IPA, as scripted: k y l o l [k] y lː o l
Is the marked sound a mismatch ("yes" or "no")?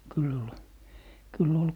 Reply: no